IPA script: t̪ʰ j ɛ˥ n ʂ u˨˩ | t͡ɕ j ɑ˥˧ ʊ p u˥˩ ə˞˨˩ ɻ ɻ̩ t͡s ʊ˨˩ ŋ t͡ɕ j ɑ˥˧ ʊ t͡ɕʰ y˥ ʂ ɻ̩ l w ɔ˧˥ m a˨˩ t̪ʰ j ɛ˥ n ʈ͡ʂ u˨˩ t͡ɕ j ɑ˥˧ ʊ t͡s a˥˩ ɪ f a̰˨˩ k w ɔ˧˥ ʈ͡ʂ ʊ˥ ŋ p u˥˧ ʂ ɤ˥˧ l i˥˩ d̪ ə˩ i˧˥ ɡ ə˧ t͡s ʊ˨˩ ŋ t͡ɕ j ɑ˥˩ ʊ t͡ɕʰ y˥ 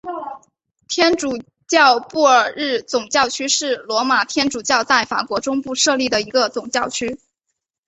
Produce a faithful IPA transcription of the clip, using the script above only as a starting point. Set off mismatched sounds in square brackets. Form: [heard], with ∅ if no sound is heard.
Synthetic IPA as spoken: t̪ʰ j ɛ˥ n [ʈ͡ʂ] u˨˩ | t͡ɕ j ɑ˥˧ ʊ p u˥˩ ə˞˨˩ ɻ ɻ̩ t͡s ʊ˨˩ ŋ t͡ɕ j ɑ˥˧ ʊ t͡ɕʰ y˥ ʂ ɻ̩ l w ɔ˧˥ m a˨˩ t̪ʰ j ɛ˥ n ʈ͡ʂ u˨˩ t͡ɕ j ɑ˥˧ ʊ t͡s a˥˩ ɪ f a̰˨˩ k w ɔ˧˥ ʈ͡ʂ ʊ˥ ŋ p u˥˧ ʂ ɤ˥˧ l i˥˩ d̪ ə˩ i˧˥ ɡ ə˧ t͡s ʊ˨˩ ŋ t͡ɕ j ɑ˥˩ ʊ t͡ɕʰ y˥